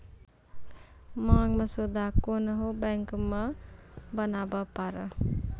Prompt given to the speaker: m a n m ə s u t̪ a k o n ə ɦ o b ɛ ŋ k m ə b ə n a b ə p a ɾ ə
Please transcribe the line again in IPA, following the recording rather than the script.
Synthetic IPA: m a ŋ m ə s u d̪ a k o n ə ɦ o b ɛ ŋ k m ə b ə n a b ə p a ɾ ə